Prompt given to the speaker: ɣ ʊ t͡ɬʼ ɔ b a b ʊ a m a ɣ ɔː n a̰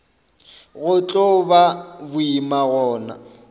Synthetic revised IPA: ɣ ʊ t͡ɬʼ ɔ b a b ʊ i m a ɣ ɔː n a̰